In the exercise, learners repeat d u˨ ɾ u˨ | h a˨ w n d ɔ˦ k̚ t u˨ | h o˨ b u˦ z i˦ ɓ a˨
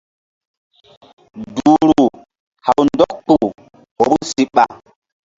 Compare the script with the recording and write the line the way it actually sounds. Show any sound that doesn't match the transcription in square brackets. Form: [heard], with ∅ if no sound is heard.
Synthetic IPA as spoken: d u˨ ɾ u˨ | h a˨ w n d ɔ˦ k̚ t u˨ | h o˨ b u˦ [s] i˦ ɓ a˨